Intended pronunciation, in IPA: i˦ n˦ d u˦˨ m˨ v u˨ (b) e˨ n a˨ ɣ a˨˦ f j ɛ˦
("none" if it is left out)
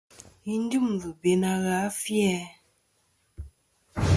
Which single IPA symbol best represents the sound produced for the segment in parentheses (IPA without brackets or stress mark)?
b